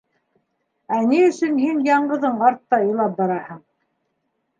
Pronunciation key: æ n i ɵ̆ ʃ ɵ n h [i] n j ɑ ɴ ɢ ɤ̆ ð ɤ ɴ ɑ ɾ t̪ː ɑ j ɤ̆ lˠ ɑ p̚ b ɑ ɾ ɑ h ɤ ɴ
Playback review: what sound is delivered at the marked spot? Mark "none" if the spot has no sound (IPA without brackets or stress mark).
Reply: i